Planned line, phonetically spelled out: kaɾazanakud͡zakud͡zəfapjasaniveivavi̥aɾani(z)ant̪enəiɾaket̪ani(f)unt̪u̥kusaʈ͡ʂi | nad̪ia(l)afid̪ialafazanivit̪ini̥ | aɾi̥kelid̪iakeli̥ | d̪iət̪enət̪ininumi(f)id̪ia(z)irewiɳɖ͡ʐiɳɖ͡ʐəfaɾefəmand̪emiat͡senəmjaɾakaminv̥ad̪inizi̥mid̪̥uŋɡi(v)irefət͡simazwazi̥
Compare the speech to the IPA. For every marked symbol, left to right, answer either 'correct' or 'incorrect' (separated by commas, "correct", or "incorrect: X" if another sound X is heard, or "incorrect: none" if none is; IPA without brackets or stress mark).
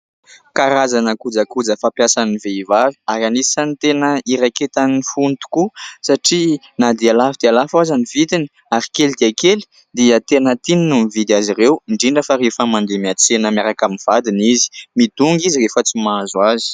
incorrect: s, correct, correct, incorrect: v, correct, incorrect: z